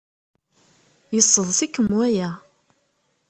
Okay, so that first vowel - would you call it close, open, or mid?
mid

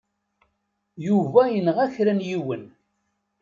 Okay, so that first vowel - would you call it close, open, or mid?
close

